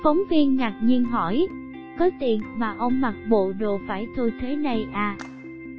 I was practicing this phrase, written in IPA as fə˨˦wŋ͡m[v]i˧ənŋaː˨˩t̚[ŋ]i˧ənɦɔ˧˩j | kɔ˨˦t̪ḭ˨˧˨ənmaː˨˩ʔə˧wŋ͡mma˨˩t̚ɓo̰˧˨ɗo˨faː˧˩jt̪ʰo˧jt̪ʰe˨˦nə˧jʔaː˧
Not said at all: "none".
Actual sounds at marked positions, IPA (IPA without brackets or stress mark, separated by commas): v, ɲ